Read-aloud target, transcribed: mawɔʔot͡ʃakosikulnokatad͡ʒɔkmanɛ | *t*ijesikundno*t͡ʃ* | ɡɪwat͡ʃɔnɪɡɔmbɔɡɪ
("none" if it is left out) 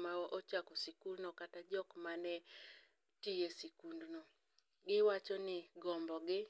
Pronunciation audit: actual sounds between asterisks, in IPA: t, none

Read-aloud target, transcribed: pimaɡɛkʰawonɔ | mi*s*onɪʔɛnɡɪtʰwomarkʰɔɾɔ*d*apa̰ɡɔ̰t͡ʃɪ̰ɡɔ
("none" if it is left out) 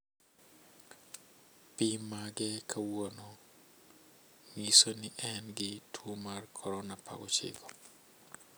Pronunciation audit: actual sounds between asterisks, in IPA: s, n

